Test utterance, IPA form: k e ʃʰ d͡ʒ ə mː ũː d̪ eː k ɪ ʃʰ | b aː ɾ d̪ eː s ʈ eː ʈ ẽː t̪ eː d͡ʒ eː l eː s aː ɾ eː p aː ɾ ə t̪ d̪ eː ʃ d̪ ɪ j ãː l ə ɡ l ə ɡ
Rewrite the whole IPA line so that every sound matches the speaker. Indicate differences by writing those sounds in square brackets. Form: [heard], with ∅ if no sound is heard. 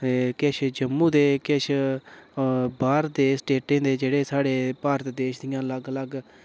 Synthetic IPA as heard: k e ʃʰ d͡ʒ ə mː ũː d̪ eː k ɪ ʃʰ | b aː ɾ d̪ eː s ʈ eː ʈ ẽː [d̪] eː d͡ʒ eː [ɽ] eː s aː [ɽ] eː p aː ɾ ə t̪ d̪ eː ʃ d̪ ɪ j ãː l ə ɡ l ə ɡ